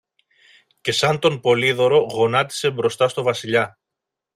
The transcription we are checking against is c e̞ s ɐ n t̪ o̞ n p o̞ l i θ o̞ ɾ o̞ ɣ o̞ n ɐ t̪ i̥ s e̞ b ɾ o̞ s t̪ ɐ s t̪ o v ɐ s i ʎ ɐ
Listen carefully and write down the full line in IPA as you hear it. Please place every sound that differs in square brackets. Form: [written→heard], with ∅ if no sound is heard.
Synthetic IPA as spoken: c e̞ s ɐ n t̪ o̞ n p o̞ l i [θ→ð] o̞ ɾ o̞ ɣ o̞ n ɐ t̪ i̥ s e̞ b ɾ o̞ s t̪ ɐ s t̪ o v ɐ s i ʎ ɐ